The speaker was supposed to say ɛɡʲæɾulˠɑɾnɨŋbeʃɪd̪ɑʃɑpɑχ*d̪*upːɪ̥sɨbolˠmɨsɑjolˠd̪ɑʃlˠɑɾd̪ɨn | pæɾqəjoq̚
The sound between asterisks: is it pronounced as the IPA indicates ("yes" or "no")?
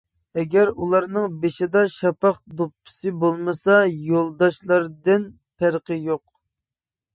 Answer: yes